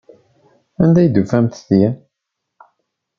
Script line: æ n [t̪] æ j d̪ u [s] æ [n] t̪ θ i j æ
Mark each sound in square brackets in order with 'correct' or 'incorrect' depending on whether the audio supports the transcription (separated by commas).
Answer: incorrect, incorrect, incorrect